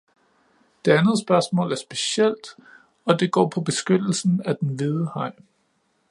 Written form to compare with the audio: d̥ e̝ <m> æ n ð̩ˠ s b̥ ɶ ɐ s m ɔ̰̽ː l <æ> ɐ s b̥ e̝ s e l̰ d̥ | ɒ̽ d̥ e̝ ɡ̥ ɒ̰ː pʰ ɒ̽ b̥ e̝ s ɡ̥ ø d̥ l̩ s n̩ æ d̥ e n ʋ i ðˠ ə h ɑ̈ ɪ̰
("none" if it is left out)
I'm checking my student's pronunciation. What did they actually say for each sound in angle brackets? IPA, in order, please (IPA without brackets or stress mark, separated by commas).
none, æ